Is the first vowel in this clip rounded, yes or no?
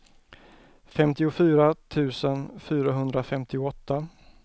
no